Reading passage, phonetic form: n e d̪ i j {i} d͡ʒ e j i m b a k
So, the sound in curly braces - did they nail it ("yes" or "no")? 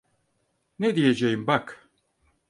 no